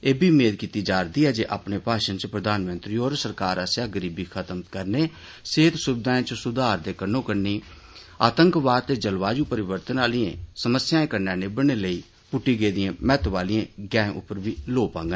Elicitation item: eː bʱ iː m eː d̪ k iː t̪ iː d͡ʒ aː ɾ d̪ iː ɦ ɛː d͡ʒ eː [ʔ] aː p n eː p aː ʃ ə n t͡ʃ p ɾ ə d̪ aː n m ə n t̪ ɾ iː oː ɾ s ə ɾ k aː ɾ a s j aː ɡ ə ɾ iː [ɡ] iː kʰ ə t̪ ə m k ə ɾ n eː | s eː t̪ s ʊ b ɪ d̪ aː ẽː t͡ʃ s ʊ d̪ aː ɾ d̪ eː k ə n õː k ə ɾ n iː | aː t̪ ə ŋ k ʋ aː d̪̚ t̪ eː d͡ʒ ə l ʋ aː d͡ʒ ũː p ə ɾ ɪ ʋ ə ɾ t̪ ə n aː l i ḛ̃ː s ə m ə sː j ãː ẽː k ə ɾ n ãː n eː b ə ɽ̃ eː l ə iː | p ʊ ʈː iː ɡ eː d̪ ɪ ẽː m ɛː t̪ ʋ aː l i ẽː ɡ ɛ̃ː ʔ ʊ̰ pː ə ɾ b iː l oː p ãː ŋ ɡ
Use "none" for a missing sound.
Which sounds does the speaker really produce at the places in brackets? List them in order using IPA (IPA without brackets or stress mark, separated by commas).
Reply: ʔ, b